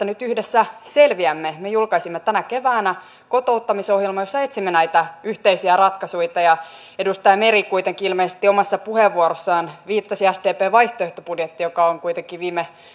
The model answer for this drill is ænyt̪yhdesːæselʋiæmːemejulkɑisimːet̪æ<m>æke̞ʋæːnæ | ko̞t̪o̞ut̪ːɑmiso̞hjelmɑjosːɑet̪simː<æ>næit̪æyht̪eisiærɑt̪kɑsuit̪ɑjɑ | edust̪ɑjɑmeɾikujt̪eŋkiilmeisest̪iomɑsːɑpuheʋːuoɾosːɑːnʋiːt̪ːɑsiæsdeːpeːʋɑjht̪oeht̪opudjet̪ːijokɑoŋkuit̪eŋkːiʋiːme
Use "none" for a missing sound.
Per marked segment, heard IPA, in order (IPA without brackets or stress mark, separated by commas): n, e